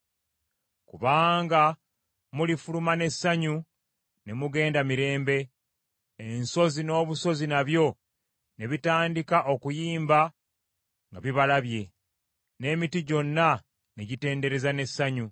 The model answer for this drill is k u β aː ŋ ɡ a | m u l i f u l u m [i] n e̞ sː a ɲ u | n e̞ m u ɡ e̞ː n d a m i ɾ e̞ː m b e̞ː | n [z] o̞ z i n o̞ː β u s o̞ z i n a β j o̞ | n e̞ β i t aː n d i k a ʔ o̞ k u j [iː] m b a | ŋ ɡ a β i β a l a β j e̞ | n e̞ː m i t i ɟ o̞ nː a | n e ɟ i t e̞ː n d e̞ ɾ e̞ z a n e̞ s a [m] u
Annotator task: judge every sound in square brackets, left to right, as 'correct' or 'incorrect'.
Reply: incorrect: a, incorrect: s, correct, incorrect: ɲ

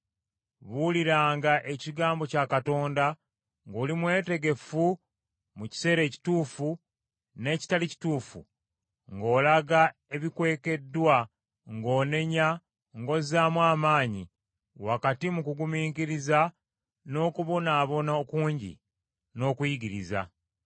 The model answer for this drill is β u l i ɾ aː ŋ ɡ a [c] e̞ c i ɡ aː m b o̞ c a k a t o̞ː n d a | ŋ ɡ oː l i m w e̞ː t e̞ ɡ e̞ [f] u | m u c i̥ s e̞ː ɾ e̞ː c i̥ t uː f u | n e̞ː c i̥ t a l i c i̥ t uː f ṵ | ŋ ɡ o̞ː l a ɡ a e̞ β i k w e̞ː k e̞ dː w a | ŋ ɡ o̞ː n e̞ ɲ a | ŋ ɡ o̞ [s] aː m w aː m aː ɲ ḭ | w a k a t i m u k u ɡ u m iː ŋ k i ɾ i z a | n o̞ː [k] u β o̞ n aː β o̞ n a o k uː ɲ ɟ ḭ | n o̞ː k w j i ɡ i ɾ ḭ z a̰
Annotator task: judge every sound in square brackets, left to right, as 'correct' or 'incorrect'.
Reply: incorrect: ʔ, correct, incorrect: z, correct

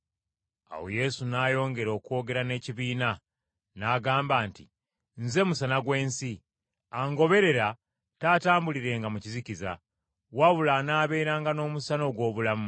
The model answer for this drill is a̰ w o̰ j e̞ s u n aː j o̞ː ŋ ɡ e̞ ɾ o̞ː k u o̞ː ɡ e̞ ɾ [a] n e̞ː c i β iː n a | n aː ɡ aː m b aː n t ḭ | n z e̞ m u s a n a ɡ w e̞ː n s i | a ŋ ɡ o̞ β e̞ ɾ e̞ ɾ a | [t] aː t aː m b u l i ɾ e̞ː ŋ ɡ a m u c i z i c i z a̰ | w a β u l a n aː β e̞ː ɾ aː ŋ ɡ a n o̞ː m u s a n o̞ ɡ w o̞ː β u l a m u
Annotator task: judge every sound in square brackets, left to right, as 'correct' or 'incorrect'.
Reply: correct, correct

